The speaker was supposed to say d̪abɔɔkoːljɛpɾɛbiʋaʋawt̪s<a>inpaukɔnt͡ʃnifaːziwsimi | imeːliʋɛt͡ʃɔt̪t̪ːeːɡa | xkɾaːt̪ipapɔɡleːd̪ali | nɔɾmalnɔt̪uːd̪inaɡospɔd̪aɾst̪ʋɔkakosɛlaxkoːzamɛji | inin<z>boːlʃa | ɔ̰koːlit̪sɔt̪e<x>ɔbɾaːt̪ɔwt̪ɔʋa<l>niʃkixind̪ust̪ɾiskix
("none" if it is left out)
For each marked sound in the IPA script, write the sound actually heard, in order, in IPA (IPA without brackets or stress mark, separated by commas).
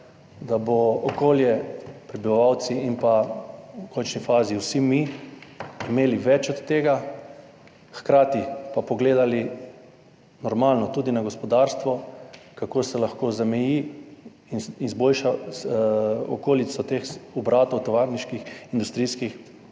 i, z, x, ɾ